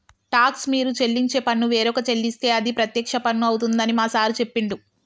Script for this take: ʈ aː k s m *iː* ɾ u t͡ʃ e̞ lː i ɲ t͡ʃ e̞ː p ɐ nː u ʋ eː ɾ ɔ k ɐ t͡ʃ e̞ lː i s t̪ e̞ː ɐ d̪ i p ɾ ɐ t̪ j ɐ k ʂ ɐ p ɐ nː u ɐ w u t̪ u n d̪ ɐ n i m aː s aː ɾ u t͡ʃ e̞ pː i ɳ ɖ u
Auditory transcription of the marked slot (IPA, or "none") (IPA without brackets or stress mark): iː